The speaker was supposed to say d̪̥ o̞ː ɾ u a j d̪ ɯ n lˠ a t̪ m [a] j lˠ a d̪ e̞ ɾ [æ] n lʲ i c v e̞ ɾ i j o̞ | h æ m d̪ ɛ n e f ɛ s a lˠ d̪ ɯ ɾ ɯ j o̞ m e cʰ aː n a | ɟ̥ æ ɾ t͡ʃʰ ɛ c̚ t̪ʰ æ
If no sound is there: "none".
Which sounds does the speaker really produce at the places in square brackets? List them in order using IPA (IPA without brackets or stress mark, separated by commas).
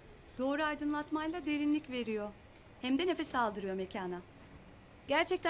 a, i